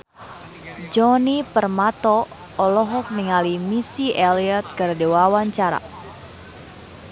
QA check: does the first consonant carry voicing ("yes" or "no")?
yes